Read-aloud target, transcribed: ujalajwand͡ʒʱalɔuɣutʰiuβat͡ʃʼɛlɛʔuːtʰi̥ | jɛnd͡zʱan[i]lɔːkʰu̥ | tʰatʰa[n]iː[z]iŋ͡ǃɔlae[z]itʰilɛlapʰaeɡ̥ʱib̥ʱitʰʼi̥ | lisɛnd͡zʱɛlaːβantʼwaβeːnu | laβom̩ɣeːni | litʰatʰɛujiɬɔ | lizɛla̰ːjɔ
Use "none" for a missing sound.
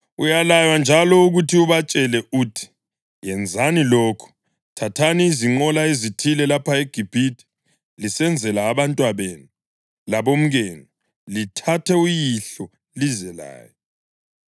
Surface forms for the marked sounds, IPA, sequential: i, n, z, z

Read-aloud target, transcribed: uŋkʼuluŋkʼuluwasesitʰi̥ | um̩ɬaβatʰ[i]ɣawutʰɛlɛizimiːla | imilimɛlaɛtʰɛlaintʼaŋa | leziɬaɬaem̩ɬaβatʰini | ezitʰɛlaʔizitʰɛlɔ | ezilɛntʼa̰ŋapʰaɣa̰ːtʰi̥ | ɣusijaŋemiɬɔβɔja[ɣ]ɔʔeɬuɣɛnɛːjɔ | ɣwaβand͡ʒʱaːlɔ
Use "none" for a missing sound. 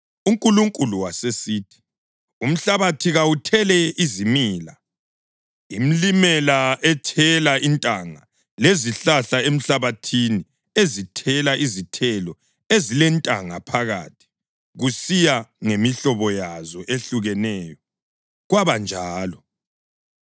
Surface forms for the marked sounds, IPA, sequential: i, z

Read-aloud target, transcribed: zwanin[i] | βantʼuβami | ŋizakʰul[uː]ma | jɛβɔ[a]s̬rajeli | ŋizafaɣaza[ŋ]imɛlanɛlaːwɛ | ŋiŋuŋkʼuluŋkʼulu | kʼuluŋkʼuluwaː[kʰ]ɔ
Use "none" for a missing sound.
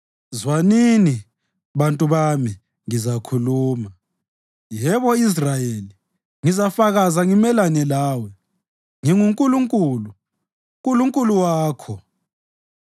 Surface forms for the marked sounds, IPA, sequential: i, uː, i, ŋ, kʰ

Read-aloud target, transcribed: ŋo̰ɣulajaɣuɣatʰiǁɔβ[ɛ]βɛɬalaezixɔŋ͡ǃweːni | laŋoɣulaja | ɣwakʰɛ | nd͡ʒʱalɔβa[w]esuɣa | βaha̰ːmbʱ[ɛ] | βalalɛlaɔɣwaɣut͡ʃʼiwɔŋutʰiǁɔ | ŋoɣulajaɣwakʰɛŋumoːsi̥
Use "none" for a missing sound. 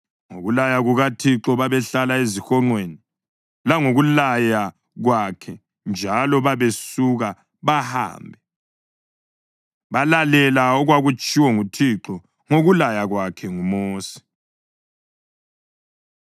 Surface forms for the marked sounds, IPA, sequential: a, β, ɛ

